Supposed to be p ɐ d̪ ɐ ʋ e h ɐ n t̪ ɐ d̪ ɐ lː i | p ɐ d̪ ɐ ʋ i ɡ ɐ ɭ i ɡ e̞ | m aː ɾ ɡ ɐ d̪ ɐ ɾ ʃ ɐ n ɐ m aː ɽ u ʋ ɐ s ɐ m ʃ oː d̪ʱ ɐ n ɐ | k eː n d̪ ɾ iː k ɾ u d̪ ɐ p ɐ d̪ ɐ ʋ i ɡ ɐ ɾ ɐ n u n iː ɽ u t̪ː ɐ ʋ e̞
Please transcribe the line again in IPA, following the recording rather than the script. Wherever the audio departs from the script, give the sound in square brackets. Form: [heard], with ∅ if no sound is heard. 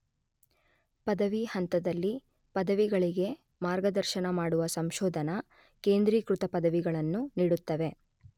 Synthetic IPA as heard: p ɐ d̪ ɐ ʋ [i] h ɐ n t̪ ɐ d̪ ɐ lː i | p ɐ d̪ ɐ ʋ i ɡ ɐ ɭ i ɡ e̞ | m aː ɾ ɡ ɐ d̪ ɐ ɾ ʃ ɐ n ɐ m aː ɽ u ʋ ɐ s ɐ m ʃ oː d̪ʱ ɐ n ɐ | k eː n d̪ ɾ iː k ɾ u [t̪] ɐ p ɐ d̪ ɐ ʋ i ɡ ɐ [ɭ] ɐ [nː] u n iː ɽ u t̪ː ɐ ʋ e̞

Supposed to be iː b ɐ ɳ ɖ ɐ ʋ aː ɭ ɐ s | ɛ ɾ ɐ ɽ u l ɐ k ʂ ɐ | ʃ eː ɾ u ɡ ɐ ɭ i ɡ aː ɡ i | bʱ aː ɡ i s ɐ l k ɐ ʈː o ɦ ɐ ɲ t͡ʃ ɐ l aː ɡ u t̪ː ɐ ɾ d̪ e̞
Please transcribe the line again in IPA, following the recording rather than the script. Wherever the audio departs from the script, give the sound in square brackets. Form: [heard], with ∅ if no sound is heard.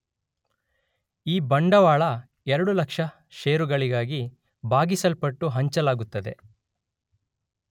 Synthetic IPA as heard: iː b ɐ ɳ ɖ ɐ ʋ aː ɭ ɐ [∅] | ɛ ɾ ɐ ɽ u l ɐ k ʂ ɐ | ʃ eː ɾ u ɡ ɐ ɭ i ɡ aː ɡ i | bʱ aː ɡ i s ɐ l [p] ɐ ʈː [u] ɦ ɐ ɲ t͡ʃ ɐ l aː ɡ u t̪ː ɐ [∅] d̪ e̞

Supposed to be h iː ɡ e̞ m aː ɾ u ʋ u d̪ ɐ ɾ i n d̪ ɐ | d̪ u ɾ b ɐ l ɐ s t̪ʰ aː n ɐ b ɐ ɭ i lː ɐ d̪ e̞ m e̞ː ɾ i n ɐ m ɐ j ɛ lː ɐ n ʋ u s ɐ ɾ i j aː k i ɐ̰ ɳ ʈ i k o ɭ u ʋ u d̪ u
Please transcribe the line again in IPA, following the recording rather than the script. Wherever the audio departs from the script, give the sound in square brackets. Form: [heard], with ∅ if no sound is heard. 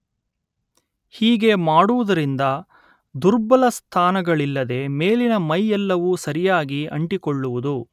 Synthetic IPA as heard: h iː ɡ e̞ m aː [ɽ] u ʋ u d̪ ɐ ɾ i n d̪ ɐ | d̪ u ɾ b ɐ l ɐ s t̪ʰ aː n ɐ [ɡ] ɐ ɭ i lː ɐ d̪ e̞ m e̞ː [l] i n ɐ m ɐ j ɛ lː ɐ [∅] ʋ u s ɐ ɾ i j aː [ɡ] i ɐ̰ ɳ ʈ i k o [ɭː] u ʋ u d̪ u

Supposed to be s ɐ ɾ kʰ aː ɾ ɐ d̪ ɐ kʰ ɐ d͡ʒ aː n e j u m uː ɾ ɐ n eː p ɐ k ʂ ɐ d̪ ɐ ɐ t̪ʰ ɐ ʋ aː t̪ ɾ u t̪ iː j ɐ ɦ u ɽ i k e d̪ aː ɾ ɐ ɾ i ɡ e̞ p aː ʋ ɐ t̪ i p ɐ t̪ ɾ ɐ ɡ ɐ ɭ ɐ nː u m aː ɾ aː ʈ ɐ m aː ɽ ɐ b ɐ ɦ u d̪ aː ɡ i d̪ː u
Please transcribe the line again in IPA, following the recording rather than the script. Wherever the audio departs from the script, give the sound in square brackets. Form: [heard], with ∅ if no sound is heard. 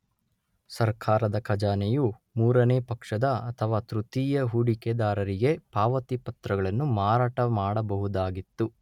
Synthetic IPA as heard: s ɐ ɾ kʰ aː ɾ ɐ d̪ ɐ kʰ ɐ d͡ʒ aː n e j u m uː ɾ ɐ n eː p ɐ k ʂ ɐ d̪ ɐ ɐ t̪ʰ ɐ ʋ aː t̪ ɾ u t̪ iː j ɐ ɦ u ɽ i k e d̪ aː ɾ ɐ ɾ i ɡ e̞ p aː ʋ ɐ t̪ i p ɐ t̪ ɾ ɐ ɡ ɐ ɭ ɐ nː u m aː ɾ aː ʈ ɐ m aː ɽ ɐ b ɐ ɦ u d̪ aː ɡ i [t̪ː] u

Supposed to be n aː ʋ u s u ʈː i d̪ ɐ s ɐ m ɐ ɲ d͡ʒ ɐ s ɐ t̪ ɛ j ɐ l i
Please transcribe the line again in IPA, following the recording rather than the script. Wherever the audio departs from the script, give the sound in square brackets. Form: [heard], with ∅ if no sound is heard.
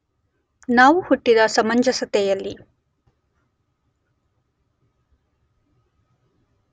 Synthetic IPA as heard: n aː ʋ u [h] u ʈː i d̪ ɐ s ɐ m ɐ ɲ d͡ʒ ɐ s ɐ t̪ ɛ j ɐ [lː] i

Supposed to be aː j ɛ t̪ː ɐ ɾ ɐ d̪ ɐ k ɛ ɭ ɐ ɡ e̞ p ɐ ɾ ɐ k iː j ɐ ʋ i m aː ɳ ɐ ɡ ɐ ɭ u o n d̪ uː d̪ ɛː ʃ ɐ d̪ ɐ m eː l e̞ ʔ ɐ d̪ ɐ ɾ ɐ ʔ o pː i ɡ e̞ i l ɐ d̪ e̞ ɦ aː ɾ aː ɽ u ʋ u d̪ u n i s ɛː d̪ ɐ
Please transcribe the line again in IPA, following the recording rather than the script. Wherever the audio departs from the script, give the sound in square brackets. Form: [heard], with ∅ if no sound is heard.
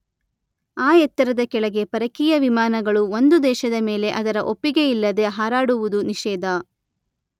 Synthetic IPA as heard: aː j ɛ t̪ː ɐ ɾ ɐ d̪ ɐ k ɛ ɭ ɐ ɡ e̞ p ɐ ɾ ɐ k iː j ɐ ʋ i m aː [n] ɐ ɡ ɐ ɭ u o n d̪ [u] d̪ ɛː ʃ ɐ d̪ ɐ m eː l e̞ ʔ ɐ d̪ ɐ ɾ ɐ ʔ o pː i ɡ e̞ i [lː] ɐ d̪ e̞ ɦ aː ɾ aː ɽ u ʋ u d̪ u n i [ʃ] ɛː d̪ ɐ

